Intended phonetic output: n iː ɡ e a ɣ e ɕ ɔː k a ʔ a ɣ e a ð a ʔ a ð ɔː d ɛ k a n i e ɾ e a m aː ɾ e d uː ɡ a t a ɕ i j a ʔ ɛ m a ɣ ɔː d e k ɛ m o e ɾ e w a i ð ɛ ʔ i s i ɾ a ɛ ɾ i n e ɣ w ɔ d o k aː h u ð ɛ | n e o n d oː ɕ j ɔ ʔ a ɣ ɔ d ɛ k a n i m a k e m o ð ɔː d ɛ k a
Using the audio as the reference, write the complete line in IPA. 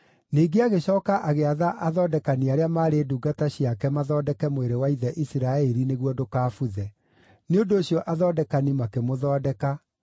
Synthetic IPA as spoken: n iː ɡ e a ɣ e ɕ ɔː k a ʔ a ɣ e a ð a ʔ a ð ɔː d ɛ k a n i a ɾ e a m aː ɾ e d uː ɡ a t a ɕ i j a k ɛ m a ð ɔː d ɛ k ɛ m o e ɾ e w a i ð ɛ ʔ i s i ɾ a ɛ ɾ i n e ɣ w ɔ d o k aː f u ð ɛ | n e o n d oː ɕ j ɔ ʔ a ð ɔ d ɛ k a n i m a k e m o ð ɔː d ɛ k a